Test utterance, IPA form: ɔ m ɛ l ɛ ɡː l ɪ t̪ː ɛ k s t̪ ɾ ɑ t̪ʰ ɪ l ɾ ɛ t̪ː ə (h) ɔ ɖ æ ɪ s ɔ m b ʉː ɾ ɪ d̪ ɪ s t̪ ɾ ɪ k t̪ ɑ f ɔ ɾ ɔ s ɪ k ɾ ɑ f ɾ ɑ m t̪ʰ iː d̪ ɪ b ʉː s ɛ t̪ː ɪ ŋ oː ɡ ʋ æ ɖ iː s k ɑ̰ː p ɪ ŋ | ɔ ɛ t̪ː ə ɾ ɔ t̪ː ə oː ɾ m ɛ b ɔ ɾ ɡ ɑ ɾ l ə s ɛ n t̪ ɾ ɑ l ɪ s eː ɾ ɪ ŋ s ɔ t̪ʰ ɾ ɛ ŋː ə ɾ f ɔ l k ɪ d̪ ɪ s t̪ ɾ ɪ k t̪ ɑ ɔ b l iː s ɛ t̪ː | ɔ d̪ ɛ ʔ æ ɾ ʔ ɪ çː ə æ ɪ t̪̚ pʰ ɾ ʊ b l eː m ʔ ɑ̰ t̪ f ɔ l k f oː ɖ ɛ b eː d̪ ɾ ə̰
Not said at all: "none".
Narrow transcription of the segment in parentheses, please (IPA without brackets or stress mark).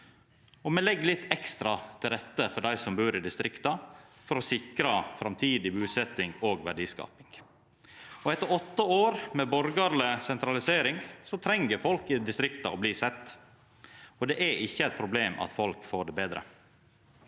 f